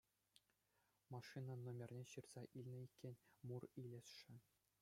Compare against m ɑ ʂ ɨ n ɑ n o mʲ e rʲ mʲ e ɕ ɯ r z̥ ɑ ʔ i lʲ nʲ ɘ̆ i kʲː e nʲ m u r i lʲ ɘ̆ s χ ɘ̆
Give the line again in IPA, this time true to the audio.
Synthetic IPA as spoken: m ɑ ʂ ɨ n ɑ n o mʲ e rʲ nʲ e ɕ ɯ r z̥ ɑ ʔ i lʲ nʲ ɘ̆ i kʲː e nʲ m u r i lʲ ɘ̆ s ʂ ɘ̆